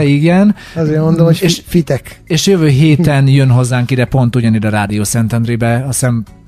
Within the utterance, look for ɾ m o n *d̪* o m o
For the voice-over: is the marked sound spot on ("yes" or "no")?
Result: yes